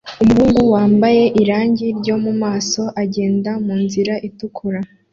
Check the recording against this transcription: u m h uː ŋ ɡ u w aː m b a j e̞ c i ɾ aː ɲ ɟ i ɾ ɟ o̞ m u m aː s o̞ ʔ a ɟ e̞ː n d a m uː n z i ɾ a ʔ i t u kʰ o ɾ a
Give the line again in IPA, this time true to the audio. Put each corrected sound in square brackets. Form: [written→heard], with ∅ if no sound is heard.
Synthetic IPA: u m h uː ŋ ɡ u w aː m b a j e̞ [c→ʔ] i ɾ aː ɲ ɟ i ɾ ɟ o̞ m u m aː s o̞ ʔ a ɟ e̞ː n d a m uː n z i ɾ a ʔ i t u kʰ [o→u] ɾ a